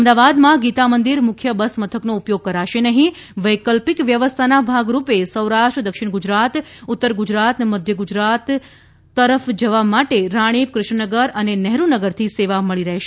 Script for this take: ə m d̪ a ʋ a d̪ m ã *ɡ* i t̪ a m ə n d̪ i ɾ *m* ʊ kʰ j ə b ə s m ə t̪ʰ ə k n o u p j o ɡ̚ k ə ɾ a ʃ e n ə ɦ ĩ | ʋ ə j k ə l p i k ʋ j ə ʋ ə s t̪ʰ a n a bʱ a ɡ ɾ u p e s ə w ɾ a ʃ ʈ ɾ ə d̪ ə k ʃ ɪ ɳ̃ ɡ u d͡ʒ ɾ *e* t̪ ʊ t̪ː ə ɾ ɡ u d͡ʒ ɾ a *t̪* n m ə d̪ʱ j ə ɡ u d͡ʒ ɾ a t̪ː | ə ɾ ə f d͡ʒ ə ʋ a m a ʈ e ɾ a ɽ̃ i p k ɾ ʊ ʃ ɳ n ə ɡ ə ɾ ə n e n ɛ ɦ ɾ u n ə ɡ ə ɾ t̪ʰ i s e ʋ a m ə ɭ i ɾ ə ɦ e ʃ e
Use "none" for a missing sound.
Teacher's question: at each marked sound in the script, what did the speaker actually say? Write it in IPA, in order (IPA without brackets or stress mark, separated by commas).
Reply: ɡ, m, a, t̪